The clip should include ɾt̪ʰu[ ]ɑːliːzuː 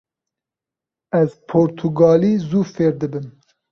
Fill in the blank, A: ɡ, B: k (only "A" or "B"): A